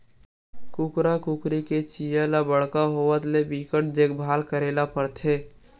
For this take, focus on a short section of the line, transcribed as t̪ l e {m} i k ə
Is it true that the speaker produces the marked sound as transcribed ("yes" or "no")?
no